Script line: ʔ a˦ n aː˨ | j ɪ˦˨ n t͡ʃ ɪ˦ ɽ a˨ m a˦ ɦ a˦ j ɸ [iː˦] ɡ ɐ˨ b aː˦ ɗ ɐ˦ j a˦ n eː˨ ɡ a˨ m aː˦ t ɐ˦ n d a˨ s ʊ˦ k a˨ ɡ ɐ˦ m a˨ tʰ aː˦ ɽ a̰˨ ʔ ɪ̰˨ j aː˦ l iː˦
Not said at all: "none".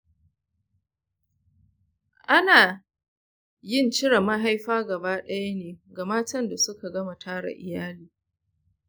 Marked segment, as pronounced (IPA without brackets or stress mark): aː˦